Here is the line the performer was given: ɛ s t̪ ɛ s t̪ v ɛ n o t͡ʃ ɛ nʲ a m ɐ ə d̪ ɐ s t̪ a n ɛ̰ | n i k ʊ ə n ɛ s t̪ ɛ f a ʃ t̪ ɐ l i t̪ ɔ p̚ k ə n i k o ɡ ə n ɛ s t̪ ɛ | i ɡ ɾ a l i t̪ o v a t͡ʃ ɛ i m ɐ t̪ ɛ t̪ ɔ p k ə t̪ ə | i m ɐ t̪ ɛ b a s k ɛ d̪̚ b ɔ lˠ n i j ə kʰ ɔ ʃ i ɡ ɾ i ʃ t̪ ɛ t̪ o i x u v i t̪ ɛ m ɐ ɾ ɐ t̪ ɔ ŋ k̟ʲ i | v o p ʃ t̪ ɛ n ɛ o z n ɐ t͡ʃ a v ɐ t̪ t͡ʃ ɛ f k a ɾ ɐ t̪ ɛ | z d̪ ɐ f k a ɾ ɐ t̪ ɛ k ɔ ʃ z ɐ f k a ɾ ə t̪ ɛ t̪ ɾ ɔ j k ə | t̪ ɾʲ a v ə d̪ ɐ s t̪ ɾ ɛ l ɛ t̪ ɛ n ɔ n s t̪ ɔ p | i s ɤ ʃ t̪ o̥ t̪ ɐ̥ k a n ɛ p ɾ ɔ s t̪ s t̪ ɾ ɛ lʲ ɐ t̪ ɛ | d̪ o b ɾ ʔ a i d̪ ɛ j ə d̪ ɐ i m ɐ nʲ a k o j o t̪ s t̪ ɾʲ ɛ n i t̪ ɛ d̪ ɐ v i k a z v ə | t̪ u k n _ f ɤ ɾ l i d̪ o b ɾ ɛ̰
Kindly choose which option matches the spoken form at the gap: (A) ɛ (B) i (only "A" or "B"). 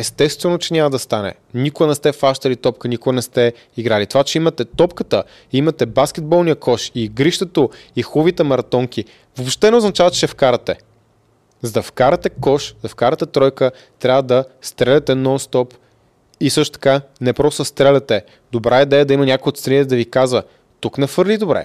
A